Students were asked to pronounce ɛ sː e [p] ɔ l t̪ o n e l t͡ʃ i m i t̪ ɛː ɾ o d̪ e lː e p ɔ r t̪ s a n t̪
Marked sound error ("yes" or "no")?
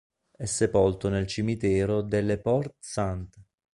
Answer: no